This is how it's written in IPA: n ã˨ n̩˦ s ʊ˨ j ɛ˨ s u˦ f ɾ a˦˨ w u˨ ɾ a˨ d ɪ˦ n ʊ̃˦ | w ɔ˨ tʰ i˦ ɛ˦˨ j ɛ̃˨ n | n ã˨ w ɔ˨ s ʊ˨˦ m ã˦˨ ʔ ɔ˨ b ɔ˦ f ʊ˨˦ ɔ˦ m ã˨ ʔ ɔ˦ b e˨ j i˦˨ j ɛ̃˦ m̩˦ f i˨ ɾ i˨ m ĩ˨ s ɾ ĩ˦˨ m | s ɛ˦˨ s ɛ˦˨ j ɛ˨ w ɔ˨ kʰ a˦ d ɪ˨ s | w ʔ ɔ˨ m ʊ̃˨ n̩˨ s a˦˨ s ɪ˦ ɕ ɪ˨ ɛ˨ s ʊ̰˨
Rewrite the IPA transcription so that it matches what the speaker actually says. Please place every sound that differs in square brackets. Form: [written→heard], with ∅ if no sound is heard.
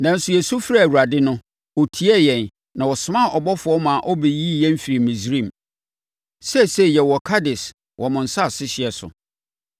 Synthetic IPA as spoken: n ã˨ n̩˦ s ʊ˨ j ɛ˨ s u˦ f ɾ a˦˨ w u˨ ɾ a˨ d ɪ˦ n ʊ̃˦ | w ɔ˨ tʰ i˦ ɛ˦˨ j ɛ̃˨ n | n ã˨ w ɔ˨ s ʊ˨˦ m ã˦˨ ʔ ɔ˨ b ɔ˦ f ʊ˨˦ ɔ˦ m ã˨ ʔ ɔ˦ b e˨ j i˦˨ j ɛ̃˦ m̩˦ f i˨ ɾ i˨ m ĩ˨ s ɾ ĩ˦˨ m | s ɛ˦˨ s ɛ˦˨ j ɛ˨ w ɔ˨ kʰ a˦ d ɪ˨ s | w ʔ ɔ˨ m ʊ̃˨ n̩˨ s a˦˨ s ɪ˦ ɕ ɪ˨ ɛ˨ s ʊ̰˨